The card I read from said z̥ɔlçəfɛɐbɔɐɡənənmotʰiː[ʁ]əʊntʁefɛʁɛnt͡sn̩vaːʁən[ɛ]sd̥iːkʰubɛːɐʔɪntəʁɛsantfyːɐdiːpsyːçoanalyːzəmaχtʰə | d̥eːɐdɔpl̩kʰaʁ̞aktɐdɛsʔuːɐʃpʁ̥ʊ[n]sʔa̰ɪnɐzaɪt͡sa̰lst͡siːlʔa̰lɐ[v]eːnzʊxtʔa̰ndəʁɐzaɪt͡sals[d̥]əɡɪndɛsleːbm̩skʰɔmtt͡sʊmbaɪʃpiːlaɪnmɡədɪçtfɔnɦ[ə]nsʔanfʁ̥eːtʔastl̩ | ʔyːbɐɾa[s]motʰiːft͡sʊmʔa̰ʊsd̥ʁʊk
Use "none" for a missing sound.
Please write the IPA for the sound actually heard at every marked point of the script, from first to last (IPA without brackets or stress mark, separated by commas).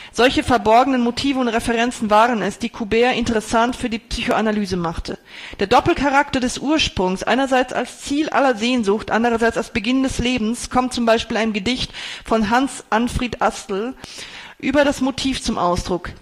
v, ɛ, ŋ, z, b̥, a, s